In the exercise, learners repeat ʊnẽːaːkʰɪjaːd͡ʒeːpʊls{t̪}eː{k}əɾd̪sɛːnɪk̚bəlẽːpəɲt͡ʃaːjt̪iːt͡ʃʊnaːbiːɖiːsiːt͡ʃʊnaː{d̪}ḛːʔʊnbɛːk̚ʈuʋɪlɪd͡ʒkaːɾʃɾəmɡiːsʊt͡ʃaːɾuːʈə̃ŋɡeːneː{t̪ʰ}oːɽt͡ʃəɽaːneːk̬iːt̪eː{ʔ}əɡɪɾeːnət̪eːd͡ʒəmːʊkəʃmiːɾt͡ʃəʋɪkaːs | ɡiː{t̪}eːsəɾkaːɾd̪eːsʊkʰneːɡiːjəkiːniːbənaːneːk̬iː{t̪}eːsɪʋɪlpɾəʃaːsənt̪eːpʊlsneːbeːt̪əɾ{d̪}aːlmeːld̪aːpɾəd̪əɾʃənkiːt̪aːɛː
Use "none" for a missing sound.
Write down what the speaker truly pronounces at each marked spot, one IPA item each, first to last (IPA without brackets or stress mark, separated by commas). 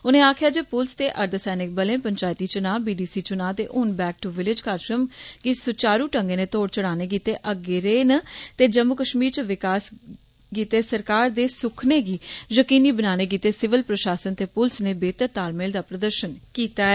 t̪, ʔ, t̪, t̪, ʔ, t̪, t̪, t̪